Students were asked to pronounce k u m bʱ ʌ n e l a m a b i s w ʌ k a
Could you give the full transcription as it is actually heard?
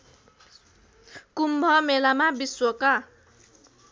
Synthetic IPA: k u m bʱ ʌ m e l a m a b i s w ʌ k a